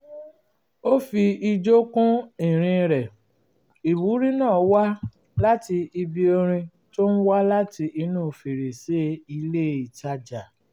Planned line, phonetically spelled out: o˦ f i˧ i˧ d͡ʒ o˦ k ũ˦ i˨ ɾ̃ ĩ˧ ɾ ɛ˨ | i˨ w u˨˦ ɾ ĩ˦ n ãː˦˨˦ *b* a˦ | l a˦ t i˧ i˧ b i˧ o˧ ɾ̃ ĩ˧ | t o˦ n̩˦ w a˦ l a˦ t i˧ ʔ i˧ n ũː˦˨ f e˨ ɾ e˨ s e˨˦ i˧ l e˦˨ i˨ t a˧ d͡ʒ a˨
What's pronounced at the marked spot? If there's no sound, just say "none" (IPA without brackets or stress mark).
w